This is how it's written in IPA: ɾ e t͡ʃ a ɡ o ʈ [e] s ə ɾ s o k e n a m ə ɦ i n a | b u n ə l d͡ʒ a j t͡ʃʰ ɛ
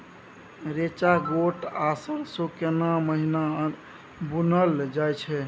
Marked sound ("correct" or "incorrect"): incorrect